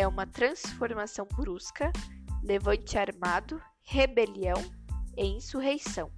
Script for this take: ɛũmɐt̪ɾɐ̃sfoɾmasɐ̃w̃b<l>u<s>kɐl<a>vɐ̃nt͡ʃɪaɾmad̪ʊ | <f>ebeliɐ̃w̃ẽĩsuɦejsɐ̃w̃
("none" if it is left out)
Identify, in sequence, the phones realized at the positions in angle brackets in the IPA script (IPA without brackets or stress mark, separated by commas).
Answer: ɾ, s, e, h